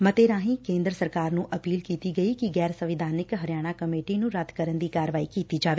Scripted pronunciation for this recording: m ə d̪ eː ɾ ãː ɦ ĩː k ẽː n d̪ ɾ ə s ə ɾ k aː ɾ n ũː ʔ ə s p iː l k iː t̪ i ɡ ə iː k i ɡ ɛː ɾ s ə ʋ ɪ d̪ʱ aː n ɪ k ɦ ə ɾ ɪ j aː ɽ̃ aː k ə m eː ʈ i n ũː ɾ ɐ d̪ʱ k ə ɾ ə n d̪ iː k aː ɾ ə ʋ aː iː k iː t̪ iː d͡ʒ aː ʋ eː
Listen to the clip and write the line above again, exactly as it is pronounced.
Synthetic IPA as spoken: m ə t̪ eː ɾ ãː ɦ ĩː k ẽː n d̪ ɾ ə s ə ɾ k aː ɾ n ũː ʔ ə p iː l k iː t̪ i ɡ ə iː k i ɡ ɛː ɾ s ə ʋ ɪ d̪ʱ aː n ɪ k ɦ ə ɾ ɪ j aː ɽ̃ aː k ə m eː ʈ i n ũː ɾ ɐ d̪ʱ k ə ɾ ə n d̪ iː k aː ɾ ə ʋ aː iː k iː t̪ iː d͡ʒ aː ʋ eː